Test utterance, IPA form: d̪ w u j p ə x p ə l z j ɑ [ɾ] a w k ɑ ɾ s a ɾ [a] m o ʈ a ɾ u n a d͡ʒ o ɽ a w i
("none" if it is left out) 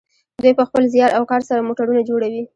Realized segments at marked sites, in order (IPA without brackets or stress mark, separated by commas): ɾ, a